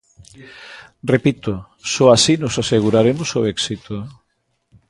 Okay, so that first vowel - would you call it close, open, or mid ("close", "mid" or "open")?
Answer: mid